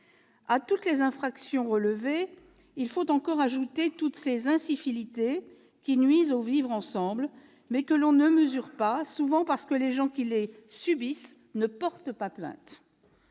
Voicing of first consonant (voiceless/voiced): voiceless